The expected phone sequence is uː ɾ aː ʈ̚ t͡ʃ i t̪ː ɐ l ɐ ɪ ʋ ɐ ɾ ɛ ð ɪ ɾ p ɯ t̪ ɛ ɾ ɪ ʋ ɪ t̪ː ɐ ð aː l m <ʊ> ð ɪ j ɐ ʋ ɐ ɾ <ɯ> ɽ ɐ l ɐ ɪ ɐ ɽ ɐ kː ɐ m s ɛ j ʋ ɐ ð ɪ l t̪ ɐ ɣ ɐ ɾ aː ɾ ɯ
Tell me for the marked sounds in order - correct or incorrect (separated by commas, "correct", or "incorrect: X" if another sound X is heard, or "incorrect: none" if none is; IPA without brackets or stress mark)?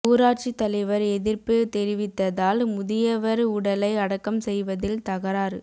correct, incorrect: ʊ